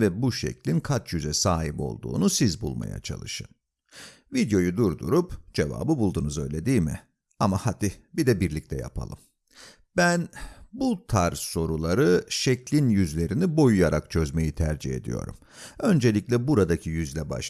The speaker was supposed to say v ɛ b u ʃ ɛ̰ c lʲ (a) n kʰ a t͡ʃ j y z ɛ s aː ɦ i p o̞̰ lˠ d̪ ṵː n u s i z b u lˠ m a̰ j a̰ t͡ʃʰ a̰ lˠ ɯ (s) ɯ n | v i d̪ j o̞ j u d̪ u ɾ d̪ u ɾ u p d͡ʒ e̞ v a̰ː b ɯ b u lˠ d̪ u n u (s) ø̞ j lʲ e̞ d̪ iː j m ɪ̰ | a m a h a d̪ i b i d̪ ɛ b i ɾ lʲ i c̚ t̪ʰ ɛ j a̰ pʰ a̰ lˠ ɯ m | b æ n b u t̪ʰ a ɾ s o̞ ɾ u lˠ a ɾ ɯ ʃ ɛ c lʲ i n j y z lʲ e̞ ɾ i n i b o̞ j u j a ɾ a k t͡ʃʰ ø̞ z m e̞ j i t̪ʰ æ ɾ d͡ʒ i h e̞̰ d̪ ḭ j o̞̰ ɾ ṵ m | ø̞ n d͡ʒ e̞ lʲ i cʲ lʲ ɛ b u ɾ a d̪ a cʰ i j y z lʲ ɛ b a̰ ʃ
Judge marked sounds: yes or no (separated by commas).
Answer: no, no, no